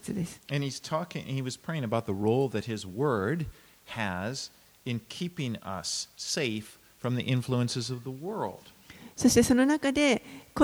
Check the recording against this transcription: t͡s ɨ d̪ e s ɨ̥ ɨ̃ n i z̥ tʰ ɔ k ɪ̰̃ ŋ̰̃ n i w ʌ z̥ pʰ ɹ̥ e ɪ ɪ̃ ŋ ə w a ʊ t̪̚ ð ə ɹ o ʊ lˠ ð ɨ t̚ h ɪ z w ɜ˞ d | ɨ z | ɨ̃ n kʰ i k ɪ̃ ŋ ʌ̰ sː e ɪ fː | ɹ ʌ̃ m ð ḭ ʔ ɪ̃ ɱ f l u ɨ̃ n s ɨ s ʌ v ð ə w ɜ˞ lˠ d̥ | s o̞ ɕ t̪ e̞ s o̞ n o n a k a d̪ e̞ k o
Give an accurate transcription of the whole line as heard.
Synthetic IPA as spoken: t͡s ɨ d̪ e s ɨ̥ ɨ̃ n i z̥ tʰ ɔ k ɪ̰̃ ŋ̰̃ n i w ʌ z̥ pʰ ɹ̥ e ɪ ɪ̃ ŋ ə b a ʊ t̪̚ ð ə ɹ o ʊ lˠ ð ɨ t̚ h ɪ z w ɜ˞ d | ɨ z | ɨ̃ n kʰ i p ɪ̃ ŋ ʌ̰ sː e ɪ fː | ɹ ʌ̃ m ð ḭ ʔ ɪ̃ ɱ f l u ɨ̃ n s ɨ z ʌ v ð ə w ɜ˞ lˠ d̥ | s o̞ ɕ t̪ e̞ s o̞ n o n a k a d̪ e̞ k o